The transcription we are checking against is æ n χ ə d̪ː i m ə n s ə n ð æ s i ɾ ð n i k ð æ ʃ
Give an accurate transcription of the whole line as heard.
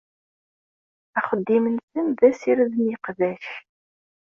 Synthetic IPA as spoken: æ χ ə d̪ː i m ə n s ə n ð æ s i ɾ ð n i q ð æ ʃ